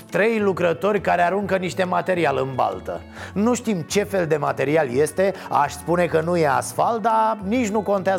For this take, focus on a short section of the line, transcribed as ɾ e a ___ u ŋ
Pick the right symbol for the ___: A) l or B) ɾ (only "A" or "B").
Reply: B